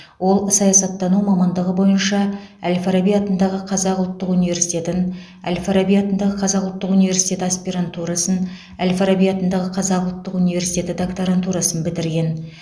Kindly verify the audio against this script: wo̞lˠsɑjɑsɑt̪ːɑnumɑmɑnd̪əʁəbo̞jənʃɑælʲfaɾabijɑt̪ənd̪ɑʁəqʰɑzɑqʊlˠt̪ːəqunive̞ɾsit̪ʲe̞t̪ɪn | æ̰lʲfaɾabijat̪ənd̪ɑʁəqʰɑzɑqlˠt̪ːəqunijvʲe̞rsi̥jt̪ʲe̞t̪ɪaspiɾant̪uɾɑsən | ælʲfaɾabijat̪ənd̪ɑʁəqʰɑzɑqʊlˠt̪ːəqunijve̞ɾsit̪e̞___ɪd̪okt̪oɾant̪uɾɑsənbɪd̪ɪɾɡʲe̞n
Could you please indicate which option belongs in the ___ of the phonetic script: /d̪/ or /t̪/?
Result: t̪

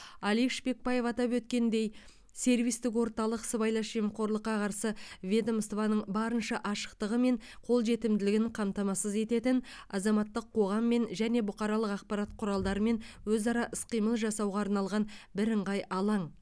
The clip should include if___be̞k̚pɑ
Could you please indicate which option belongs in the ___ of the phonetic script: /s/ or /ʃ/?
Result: ʃ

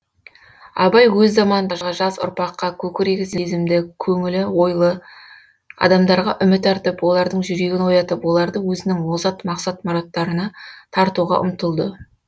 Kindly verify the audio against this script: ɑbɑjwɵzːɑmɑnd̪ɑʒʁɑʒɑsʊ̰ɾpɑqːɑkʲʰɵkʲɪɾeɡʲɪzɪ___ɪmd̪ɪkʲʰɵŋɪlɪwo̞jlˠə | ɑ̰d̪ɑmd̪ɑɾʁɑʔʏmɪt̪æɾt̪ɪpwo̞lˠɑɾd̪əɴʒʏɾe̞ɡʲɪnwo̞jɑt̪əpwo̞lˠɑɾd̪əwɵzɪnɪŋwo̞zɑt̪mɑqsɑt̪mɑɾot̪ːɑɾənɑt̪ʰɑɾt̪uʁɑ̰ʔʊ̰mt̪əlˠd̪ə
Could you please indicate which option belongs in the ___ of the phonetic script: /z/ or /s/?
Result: z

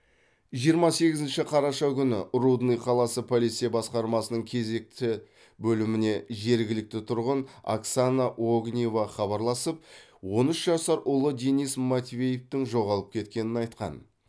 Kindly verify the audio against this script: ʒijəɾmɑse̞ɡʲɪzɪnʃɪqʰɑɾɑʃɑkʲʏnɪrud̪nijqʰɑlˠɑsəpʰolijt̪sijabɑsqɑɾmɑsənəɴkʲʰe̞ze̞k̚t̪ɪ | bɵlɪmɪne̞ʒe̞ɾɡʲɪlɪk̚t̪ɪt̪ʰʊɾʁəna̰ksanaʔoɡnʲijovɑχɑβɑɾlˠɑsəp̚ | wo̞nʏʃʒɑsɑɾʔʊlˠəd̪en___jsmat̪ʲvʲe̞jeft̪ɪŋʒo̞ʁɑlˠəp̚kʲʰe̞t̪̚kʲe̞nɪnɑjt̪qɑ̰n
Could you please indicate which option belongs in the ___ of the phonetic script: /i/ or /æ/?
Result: i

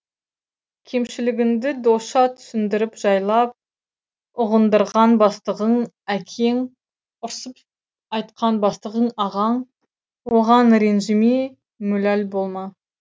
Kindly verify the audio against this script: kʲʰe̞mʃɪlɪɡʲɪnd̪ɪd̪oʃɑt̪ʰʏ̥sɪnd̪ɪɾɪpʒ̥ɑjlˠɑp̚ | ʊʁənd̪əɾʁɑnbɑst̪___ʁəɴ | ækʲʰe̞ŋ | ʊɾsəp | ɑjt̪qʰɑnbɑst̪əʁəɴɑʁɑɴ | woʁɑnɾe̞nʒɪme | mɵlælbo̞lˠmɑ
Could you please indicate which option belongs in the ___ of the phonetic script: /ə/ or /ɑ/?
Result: ə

